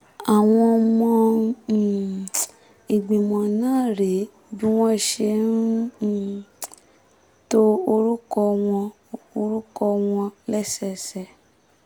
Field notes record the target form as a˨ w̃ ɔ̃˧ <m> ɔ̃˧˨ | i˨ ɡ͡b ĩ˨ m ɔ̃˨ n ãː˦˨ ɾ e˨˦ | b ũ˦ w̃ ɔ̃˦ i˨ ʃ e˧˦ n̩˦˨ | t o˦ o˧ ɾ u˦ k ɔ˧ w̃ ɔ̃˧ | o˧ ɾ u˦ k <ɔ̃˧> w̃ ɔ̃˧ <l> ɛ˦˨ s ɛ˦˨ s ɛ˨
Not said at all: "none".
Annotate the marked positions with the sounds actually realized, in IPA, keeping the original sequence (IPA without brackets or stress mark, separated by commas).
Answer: m, ɔ˧, l